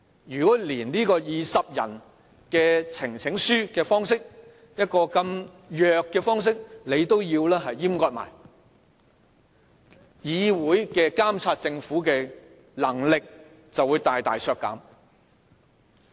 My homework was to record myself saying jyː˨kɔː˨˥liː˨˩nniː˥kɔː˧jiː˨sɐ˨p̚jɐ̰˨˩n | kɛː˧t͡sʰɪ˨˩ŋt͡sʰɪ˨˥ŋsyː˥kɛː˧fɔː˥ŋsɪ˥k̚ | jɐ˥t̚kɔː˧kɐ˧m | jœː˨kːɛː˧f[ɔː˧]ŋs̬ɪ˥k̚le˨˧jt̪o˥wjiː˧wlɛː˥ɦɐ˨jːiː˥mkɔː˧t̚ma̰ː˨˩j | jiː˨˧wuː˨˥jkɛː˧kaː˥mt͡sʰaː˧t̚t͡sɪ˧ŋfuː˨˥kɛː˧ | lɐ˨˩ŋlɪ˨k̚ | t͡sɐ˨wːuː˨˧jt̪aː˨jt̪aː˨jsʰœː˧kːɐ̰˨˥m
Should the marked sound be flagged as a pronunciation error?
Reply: yes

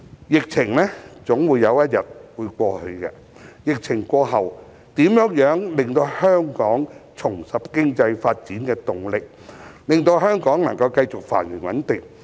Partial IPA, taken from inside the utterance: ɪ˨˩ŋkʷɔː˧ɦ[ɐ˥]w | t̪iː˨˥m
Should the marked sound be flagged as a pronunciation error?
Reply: yes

